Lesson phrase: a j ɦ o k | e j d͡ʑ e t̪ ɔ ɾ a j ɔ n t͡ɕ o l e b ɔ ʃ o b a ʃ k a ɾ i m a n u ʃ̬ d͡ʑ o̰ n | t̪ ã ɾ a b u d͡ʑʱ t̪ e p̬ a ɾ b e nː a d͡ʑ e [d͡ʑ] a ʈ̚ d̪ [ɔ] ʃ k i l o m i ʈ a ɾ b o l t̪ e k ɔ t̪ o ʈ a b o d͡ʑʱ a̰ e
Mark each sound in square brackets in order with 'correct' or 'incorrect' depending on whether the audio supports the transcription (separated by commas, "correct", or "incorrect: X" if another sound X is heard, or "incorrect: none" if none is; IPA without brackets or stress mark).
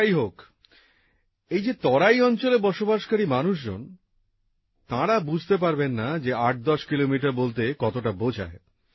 incorrect: none, correct